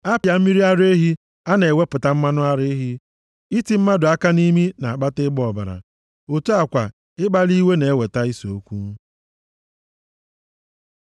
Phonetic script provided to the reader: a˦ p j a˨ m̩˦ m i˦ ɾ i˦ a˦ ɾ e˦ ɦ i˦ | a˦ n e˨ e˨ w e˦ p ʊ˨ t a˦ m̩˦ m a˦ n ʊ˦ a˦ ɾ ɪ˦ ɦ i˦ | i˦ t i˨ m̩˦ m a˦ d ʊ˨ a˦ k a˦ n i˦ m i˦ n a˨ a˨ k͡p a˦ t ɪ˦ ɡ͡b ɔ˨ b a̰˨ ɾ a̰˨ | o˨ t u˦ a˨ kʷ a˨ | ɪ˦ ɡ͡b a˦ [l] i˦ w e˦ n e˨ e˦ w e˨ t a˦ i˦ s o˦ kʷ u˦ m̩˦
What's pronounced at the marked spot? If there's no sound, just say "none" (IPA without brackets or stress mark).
l